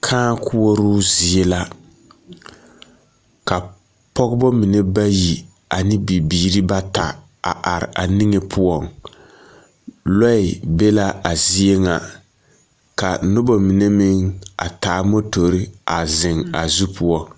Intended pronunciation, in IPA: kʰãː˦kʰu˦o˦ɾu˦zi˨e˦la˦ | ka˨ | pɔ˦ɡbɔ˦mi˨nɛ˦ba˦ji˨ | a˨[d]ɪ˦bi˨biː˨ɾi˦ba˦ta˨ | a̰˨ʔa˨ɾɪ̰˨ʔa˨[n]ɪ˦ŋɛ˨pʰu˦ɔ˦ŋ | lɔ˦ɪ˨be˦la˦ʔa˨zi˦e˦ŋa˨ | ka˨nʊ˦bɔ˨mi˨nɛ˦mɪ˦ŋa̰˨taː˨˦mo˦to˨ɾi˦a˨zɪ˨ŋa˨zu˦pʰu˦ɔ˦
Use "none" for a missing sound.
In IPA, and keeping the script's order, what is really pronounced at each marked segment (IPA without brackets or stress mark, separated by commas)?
n, n